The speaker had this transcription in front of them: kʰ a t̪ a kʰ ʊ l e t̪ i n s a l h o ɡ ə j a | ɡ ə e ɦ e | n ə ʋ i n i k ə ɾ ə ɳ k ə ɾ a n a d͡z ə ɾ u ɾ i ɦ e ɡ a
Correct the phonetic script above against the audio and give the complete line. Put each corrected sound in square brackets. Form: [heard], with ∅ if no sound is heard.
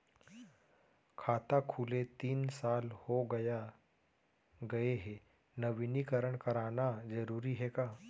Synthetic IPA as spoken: kʰ a t̪ a kʰ [u] l e t̪ [iː] n s a l h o ɡ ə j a | ɡ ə e ɦ e | n ə ʋ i n i k ə ɾ ə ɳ k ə ɾ a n a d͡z ə ɾ u ɾ i ɦ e [k] a